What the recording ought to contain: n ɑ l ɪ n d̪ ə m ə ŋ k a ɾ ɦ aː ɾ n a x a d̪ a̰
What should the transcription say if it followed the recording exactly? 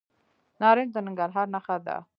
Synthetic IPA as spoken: n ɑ ɾ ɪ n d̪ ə n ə ŋ ɡ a ɾ ɦ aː ɾ n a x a d̪ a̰